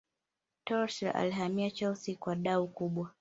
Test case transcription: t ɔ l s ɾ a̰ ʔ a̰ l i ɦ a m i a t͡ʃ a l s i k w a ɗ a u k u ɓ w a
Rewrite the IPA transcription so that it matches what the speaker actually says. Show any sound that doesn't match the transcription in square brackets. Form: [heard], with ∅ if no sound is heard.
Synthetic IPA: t ɔ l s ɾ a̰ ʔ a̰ l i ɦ a m i a t͡ʃ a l s i k w a ɗ a u k u ɓ w a